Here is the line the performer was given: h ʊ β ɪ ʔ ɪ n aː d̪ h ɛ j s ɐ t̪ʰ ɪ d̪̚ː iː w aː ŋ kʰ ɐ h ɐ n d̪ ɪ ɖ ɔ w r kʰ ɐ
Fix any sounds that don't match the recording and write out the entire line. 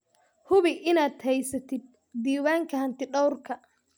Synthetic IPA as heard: h ʊ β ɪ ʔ ɪ n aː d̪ h ɛ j s ɐ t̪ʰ ɪ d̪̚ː iː w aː ŋ kʰ ɐ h ɐ n t̪ ɪ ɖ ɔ w r kʰ ɐ